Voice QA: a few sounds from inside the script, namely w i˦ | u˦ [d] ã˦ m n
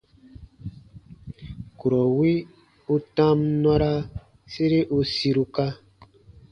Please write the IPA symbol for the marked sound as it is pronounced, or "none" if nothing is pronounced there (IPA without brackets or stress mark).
t